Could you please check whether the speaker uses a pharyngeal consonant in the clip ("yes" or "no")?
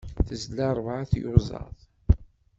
yes